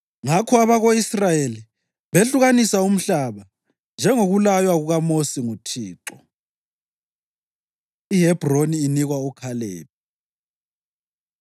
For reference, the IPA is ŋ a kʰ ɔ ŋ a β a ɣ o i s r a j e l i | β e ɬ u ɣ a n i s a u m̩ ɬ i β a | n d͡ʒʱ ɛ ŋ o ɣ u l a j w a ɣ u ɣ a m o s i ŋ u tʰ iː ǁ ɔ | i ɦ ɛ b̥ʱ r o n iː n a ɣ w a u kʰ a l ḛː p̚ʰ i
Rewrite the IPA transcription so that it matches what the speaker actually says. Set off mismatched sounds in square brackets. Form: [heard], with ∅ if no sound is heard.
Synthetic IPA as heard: ŋ a kʰ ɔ [∅] a β a ɣ o i s r a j e l i | β e ɬ u ɣ a n i s a u m̩ ɬ [a] β a | n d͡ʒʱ ɛ ŋ o ɣ u l a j w a ɣ u ɣ a m o s i ŋ u tʰ iː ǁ ɔ | i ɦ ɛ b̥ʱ r o n iː n [i] ɣ w a u kʰ a l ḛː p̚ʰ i